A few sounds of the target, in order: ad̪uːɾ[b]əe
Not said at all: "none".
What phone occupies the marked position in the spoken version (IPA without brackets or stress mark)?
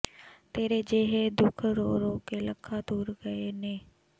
ɡ